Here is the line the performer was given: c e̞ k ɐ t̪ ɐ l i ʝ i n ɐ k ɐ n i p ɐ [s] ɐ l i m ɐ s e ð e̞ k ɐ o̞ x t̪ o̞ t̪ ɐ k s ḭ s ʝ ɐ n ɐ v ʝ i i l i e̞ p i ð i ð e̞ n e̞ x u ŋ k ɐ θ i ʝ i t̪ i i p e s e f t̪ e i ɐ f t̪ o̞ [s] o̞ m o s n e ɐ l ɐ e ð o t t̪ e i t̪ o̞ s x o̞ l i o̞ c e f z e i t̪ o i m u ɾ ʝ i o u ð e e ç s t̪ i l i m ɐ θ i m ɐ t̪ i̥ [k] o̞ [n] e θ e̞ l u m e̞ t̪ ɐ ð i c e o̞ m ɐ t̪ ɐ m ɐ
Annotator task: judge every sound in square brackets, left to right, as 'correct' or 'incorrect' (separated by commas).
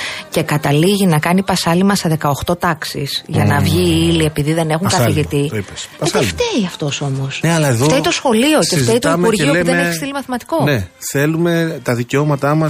correct, correct, correct, correct